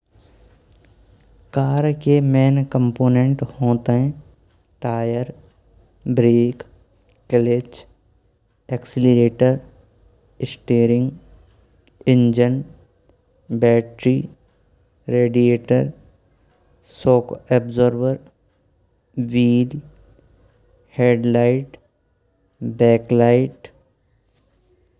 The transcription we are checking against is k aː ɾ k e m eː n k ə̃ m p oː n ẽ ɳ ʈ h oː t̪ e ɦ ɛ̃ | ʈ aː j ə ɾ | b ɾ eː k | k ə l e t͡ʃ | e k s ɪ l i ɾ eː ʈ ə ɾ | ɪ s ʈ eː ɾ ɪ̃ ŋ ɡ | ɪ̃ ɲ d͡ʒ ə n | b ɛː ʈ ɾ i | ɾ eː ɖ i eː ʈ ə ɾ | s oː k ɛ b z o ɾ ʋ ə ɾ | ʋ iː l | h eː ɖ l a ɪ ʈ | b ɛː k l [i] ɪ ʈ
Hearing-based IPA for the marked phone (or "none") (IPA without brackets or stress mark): a